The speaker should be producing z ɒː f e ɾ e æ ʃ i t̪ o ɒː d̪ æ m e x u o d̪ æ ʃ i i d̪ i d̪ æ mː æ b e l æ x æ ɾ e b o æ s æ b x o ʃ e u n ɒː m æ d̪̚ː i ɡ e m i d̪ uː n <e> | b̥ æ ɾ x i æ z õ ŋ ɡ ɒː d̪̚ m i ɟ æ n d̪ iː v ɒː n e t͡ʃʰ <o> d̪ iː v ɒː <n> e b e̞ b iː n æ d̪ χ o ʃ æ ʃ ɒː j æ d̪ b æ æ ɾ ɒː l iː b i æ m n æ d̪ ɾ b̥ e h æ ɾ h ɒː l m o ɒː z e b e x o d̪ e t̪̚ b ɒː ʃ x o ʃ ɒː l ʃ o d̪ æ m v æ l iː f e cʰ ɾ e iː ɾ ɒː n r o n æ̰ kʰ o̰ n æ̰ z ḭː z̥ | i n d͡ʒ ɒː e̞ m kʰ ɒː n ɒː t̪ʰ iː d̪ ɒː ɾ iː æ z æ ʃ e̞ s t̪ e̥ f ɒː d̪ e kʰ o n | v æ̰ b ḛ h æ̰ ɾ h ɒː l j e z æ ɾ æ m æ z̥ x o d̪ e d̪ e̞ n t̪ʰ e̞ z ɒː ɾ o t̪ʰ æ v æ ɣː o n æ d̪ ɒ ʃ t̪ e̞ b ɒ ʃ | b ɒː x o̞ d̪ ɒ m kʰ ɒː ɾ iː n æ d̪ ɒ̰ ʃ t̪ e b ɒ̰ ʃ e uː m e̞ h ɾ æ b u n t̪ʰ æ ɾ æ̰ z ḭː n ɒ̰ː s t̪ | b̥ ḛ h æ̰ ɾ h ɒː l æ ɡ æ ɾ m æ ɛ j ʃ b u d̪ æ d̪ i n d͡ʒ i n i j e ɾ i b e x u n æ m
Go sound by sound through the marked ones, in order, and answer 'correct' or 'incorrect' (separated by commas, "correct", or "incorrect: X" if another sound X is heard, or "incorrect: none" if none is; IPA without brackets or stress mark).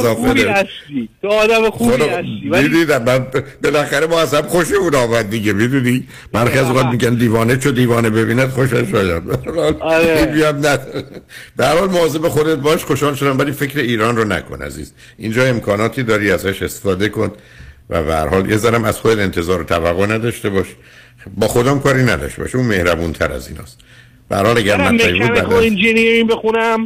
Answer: incorrect: i, correct, correct